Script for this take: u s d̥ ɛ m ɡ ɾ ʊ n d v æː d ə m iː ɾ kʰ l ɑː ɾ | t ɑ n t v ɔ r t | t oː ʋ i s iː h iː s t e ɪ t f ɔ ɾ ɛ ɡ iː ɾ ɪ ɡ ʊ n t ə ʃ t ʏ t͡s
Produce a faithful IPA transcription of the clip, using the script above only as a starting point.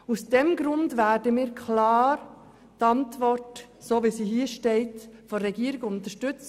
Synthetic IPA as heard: u s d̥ ɛ m ɡ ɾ ʊ n d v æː d ə m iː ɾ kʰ l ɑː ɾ | t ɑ n t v ɔ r t | s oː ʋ i s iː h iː ʃ t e ɪ t f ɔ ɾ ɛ ɡ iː ɾ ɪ ɡ ʊ n t ə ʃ t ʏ t͡s

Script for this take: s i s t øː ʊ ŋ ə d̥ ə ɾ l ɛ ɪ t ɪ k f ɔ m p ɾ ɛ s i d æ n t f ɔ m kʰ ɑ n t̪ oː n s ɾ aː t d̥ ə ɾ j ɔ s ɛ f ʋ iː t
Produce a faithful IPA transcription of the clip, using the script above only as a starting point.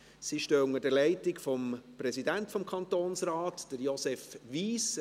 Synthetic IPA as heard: s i ʃ t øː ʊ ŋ ə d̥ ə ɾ l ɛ ɪ t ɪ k f ɔ m p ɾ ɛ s i d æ n t f ɔ m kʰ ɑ n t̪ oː n s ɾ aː t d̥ ə ɾ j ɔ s ɛ f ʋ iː s

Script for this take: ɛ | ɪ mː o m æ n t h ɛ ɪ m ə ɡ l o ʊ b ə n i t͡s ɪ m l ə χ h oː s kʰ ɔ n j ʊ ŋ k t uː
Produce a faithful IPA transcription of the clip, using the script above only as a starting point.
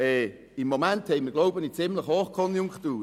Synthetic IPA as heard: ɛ | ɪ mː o m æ n t h ɛ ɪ m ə ɡ l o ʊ b ə n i t͡s ɪ m l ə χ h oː χ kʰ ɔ n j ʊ ŋ k t uː

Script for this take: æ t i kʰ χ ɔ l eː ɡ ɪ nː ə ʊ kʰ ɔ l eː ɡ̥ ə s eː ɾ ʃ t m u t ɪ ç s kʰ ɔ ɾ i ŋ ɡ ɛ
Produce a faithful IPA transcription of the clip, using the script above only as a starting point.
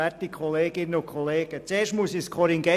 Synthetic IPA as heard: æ t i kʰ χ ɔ l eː ɡ ɪ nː ə ʊ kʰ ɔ l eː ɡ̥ ə t͡s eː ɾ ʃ t m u s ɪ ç s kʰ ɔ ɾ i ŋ ɡ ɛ

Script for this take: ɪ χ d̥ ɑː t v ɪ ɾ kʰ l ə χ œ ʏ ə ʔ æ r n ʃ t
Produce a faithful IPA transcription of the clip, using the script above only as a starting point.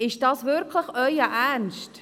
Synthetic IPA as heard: ɪ ʃ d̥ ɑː s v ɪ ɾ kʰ l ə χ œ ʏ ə ʔ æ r n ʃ t

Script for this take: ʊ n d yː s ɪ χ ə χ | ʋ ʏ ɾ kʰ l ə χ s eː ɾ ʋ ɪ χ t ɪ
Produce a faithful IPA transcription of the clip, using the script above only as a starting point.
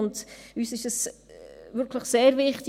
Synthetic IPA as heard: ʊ n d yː s ɪ ʃ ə s | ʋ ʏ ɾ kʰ l ə χ s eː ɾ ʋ ɪ χ t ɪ

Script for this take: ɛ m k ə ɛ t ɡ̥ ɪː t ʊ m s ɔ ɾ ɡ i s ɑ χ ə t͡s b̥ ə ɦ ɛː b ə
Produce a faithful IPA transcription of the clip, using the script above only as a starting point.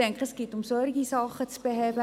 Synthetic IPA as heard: ɛ ŋ k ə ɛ s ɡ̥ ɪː t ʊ m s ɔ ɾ ɡ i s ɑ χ ə t͡s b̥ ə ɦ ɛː b ə

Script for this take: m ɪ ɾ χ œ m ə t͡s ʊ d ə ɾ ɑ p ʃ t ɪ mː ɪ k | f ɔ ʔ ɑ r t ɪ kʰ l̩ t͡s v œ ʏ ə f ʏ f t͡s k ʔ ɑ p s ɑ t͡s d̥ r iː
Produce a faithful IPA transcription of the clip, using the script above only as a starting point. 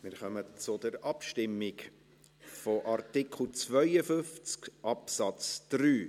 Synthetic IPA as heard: m ɪ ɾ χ œ m ə t͡s ʊ d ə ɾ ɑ p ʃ t ɪ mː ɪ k | f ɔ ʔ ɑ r t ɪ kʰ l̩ t͡s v œ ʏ ə f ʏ f t͡s k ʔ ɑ p s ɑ t͡s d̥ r yː

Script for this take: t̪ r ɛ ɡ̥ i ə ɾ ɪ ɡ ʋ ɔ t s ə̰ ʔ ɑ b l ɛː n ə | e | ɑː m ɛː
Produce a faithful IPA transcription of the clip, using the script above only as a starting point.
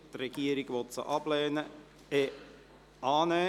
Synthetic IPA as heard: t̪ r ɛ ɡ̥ i ə ɾ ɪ ɡ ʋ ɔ t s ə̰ ʔ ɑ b l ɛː n ə | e | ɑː n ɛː

